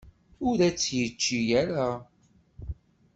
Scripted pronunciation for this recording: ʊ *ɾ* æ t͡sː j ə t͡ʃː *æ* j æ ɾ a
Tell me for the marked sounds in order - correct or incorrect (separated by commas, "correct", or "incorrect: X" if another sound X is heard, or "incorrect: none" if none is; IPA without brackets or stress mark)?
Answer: correct, incorrect: i